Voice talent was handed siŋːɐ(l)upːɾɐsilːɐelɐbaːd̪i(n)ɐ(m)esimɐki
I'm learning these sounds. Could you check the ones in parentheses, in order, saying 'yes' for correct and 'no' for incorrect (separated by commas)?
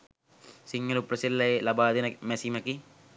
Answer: yes, yes, yes